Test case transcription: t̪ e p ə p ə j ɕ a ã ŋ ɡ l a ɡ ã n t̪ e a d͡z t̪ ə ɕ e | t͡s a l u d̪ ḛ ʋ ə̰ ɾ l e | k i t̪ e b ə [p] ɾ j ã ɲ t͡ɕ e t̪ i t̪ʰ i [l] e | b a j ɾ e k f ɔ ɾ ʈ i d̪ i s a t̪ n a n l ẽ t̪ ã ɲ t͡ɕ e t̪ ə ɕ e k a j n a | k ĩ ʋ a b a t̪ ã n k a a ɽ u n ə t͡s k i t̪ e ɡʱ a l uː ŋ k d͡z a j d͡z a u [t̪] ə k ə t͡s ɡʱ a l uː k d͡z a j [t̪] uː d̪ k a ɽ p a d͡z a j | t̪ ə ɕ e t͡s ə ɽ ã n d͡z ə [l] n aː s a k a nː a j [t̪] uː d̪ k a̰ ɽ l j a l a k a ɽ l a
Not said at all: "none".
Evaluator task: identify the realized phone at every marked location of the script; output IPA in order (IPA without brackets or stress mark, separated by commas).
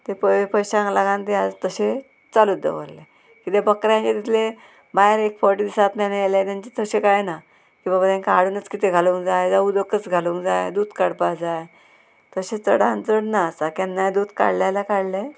k, l, d̪, d̪, ɽ, d̪